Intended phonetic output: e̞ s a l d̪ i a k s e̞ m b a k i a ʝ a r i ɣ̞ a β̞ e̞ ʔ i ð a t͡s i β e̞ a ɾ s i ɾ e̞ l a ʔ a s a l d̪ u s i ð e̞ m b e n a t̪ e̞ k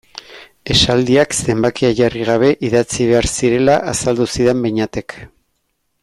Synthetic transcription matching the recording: e̞ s a l d̪ i a k s e̞ m b a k i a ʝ a r i ɣ̞ a β̞ e̞ ʔ i ð a t͡s i β e̞ a ɾ s i ɾ e̞ l a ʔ a s a l d̪ u s i ð e̞ m b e ɲ a t̪ e̞ k